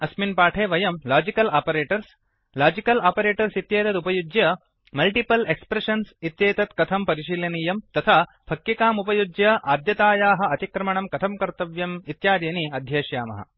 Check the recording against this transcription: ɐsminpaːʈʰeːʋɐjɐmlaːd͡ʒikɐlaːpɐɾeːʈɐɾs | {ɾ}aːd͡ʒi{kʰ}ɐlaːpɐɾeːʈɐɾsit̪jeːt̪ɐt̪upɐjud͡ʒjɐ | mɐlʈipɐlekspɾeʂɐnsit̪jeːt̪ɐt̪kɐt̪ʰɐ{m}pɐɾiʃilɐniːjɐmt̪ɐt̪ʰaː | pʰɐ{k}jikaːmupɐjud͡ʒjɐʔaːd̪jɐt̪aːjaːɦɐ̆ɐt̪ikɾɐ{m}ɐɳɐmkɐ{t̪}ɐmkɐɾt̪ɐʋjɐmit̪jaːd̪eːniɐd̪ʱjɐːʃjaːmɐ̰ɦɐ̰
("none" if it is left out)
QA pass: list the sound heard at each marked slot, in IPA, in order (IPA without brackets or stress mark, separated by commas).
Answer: l, k, m, k, m, t̪ʰ